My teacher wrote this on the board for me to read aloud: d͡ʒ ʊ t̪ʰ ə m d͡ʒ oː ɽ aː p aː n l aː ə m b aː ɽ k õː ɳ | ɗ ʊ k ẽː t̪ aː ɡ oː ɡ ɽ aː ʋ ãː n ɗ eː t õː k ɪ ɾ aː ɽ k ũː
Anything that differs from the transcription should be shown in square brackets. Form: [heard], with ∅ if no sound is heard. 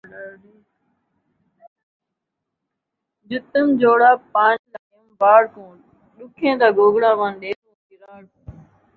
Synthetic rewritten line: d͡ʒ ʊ [t̪] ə m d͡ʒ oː ɽ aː p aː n l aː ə m b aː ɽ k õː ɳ | ɗ ʊ [kʰ] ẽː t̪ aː ɡ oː ɡ ɽ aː ʋ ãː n ɗ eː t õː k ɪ ɾ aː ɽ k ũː

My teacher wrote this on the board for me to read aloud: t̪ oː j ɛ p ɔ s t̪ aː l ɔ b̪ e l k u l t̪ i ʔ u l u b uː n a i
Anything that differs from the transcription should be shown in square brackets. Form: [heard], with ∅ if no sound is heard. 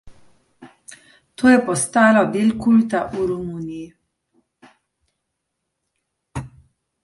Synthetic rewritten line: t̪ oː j ɛ p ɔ s t̪ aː l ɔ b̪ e l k u l t̪ [a] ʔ u [ɾ] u [m] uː n [i] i

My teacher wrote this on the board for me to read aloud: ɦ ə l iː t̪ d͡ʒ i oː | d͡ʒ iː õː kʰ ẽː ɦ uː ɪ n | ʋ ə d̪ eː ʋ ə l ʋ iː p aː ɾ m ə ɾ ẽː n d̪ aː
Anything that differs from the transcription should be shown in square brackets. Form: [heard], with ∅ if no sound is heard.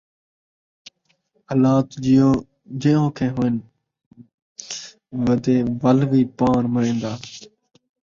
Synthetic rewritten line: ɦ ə l [aː] t̪ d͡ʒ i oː | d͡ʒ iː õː kʰ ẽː ɦ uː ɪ n | ʋ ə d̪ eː ʋ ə l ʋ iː p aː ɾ m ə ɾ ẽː n d̪ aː

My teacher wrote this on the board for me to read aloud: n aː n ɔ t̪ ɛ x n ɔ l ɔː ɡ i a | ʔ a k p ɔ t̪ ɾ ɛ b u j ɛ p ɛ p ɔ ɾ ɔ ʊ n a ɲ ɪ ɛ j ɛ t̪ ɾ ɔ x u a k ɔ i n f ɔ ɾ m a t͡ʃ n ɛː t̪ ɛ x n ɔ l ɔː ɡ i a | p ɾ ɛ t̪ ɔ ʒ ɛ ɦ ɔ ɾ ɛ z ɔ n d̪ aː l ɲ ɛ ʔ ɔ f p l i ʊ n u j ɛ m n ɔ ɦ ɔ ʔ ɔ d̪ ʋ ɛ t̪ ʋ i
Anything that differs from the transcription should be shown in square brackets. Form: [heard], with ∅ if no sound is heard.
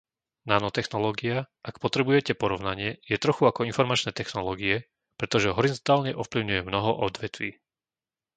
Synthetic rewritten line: n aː n ɔ t̪ ɛ x n ɔ l ɔː ɡ i a | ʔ a k p ɔ t̪ ɾ ɛ b u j ɛ [c] ɛ p ɔ ɾ ɔ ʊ n a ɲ ɪ ɛ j ɛ t̪ ɾ ɔ x u a k ɔ i n f ɔ ɾ m a t͡ʃ n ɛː t̪ ɛ x n ɔ l ɔː ɡ i [ɛ] | p ɾ ɛ t̪ ɔ ʒ ɛ ɦ ɔ ɾ [i] z ɔ n [t̪] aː l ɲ ɛ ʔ ɔ f p l i ʊ [ɲ] u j ɛ m n ɔ ɦ ɔ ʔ ɔ d̪ ʋ ɛ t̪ ʋ [iː]

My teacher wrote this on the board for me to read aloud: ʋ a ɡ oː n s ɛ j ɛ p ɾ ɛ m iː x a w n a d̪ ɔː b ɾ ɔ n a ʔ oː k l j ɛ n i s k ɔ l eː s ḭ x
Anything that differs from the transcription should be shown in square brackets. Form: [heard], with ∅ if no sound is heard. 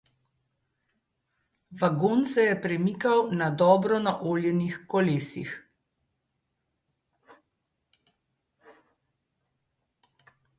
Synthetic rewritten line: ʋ a ɡ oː n s ɛ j ɛ p ɾ ɛ m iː [k] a w n a d̪ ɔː b ɾ ɔ n a ʔ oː [∅] l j ɛ n i [x] k ɔ l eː s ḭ x

